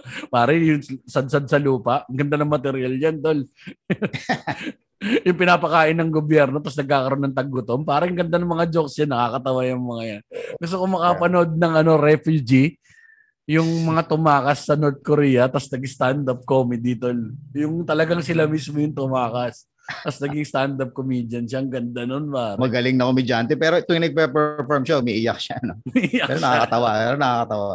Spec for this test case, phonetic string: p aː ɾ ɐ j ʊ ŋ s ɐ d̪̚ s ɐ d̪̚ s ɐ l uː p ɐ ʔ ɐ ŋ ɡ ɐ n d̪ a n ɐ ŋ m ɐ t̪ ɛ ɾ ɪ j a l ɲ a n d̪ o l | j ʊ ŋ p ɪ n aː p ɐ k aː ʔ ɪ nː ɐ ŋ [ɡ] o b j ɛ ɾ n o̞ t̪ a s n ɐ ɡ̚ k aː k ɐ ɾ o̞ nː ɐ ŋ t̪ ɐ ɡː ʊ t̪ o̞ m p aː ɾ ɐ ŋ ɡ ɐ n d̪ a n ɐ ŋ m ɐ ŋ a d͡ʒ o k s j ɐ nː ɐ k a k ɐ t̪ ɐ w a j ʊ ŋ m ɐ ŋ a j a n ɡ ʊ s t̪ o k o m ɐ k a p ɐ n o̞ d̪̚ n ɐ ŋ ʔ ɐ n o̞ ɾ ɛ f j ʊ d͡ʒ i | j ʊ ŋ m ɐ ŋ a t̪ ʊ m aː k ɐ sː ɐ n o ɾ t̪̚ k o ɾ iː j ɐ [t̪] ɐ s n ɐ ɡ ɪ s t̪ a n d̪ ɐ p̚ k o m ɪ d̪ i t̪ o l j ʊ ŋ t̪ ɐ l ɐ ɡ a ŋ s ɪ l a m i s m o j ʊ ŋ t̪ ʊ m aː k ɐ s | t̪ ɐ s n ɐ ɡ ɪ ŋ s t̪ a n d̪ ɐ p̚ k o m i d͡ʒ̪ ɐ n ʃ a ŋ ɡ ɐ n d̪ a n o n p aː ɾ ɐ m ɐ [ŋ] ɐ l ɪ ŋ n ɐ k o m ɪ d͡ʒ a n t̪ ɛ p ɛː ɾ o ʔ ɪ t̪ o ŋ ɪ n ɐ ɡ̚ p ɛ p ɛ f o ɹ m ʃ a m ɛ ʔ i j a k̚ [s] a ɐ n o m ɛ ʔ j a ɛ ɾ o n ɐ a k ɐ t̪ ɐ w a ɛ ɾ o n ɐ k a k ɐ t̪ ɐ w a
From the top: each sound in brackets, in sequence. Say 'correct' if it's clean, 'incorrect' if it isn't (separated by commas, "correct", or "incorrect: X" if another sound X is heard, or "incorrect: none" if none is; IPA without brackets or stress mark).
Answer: correct, correct, incorrect: ɡ, incorrect: ʃ